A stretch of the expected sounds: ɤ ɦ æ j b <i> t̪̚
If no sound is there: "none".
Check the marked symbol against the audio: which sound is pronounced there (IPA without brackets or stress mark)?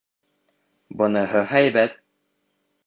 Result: æ